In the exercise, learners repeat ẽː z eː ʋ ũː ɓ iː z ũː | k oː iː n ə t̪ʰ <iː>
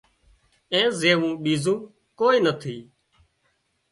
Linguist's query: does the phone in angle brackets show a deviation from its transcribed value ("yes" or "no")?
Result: no